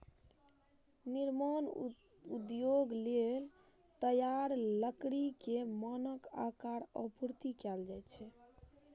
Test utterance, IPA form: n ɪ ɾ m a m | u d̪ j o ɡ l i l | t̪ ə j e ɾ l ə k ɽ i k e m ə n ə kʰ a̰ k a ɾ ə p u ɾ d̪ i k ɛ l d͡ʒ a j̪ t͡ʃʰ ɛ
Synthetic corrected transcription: n i ɾ m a n | u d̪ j o ɡ l e l | t̪ ə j a ɾ l ə k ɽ i k e m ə n ə k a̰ k a ɾ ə p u ɾ t̪ i k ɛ l d͡ʒ a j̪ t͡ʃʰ ɛ